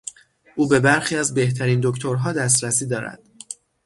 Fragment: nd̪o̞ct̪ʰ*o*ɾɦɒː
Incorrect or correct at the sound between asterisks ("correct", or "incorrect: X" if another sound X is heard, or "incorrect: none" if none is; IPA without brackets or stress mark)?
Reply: correct